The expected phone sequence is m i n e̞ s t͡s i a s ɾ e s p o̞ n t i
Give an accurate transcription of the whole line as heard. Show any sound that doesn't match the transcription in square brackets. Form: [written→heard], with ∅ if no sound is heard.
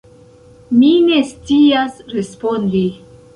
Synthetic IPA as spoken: m i n e̞ s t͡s i a s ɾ e s p o̞ n [t→d] i